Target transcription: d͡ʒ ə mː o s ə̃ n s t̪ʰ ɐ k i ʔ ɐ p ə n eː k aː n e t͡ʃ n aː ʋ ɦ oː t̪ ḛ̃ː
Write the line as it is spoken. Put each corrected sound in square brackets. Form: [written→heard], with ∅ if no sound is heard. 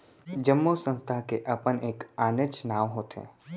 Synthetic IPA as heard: d͡ʒ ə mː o s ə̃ n s t̪ʰ [ɐ→a] k [i→e] ʔ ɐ p ə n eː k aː n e t͡ʃ n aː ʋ ɦ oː t̪ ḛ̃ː

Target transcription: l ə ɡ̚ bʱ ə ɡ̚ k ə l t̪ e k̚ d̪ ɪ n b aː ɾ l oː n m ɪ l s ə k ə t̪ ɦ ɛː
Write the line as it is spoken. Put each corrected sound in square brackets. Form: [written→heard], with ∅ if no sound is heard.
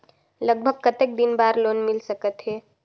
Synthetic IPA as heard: l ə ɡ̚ bʱ ə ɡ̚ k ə [l→∅] t̪ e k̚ d̪ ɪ n b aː ɾ l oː n m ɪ l s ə k ə t̪ ɦ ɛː

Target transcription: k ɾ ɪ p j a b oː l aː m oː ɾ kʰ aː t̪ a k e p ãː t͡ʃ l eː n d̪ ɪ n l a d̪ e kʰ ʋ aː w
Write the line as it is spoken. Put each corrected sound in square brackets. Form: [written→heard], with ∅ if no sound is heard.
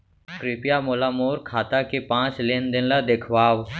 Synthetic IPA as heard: k ɾ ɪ p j a [b→m] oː l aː m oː ɾ kʰ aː t̪ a k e p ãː t͡ʃ l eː n d̪ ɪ n l a d̪ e kʰ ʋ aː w

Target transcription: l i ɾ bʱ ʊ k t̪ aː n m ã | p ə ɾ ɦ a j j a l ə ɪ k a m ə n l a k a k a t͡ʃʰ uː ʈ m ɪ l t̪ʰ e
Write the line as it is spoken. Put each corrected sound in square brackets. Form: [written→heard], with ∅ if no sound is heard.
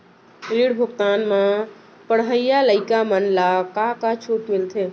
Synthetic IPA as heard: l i [ɾ→ɽ] bʱ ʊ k t̪ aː n m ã | p ə [ɾ→ɽ] ɦ [a→ə] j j a l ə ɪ k a m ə n l a k a k a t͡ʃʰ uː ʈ m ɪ l t̪ʰ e

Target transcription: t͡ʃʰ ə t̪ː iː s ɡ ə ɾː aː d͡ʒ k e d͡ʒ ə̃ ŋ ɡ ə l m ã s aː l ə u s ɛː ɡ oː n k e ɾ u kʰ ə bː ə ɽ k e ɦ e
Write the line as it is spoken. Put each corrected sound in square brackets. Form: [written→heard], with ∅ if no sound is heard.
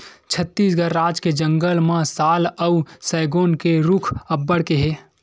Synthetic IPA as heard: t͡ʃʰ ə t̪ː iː s ɡ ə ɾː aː d͡ʒ k e d͡ʒ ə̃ ŋ ɡ ə l m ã s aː l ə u s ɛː ɡ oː n k e ɾ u kʰ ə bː ə ɽ k e ɦ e

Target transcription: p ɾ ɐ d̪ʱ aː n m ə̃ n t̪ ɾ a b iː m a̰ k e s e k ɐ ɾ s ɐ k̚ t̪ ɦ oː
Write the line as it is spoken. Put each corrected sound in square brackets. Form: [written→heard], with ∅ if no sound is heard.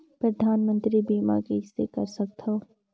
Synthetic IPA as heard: p ɾ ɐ d̪ʱ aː n m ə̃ n t̪ ɾ [a→i] b iː m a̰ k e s e k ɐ ɾ s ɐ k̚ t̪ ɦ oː

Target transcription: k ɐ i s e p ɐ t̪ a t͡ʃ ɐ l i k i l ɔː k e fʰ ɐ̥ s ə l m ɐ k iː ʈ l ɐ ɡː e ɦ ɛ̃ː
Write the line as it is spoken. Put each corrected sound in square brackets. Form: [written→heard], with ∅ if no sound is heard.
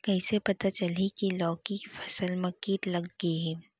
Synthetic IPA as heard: k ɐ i s e p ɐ t̪ a t͡ʃ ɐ l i k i l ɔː k [e→i] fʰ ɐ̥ s ə l m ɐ k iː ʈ l ɐ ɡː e ɦ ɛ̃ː

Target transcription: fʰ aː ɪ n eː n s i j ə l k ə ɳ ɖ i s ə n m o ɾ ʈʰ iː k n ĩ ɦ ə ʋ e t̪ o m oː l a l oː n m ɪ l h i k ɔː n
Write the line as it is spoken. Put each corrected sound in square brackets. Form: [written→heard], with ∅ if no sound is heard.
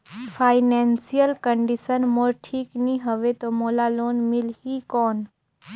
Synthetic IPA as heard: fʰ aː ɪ n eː n s i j ə l k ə ɳ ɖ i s ə n m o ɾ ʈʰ iː k n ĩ ɦ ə ʋ e t̪ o m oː l a l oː n m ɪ l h i k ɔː n

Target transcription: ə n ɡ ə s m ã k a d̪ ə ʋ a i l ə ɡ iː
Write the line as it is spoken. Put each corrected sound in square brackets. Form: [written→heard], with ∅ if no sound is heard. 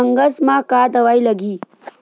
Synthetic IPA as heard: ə [n→ŋ] ɡ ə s m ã k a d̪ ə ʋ a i l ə ɡ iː

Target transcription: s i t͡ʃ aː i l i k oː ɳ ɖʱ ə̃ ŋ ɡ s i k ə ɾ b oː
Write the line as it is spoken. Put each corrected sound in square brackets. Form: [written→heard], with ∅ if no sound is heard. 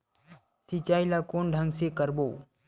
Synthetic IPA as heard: s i t͡ʃ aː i l [i→a] k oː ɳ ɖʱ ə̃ ŋ ɡ s [i→e] k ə ɾ b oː

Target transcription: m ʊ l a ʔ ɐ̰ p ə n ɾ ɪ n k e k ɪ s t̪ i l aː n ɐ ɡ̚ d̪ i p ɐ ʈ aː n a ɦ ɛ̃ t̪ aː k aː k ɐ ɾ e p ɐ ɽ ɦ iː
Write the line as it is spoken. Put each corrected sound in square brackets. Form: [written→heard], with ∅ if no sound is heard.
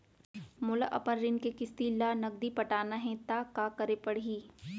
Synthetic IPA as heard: m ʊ l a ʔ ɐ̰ p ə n ɾ ɪ n k e k ɪ s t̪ i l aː n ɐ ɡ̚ d̪ i p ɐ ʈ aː n a ɦ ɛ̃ t̪ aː k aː k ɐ ɾ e p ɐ ɽ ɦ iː

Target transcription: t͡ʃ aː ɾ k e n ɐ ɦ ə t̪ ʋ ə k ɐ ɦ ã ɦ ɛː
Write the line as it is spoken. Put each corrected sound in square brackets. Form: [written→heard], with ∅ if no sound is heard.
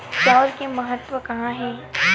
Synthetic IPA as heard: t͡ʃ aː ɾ k e [n→m] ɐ ɦ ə t̪ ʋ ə k ɐ ɦ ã ɦ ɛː

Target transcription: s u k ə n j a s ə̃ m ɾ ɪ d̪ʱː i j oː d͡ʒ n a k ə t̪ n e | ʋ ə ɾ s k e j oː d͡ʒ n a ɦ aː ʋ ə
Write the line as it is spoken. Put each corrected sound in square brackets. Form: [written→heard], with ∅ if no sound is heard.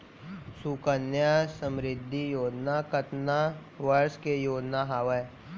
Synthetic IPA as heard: s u k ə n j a s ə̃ m ɾ ɪ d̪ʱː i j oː d͡ʒ n a k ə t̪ n [e→a] | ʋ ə ɾ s k e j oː d͡ʒ n a ɦ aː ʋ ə

